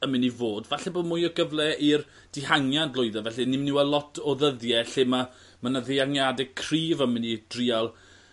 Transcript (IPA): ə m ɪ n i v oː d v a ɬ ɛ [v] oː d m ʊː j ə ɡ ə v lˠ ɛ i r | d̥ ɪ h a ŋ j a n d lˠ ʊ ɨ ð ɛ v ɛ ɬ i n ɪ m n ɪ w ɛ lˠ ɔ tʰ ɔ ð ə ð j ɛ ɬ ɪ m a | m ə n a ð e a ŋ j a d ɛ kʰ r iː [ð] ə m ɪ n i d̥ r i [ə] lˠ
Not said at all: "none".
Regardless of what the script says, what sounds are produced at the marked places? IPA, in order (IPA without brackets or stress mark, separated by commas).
b, v, a